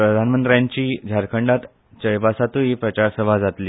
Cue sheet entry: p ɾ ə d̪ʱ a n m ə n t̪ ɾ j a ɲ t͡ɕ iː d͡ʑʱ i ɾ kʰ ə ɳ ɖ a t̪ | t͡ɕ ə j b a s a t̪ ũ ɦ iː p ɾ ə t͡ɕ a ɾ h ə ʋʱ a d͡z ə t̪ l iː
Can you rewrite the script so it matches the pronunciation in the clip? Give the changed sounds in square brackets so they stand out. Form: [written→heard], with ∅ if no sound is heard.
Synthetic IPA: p ɾ ə d̪ʱ a n m ə n t̪ ɾ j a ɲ t͡ɕ iː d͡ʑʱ [i→a] ɾ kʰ ə ɳ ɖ a t̪ | t͡ɕ ə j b a s a t̪ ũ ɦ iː p ɾ ə t͡ɕ a ɾ [h→s] ə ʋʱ a d͡z [ə→a] t̪ l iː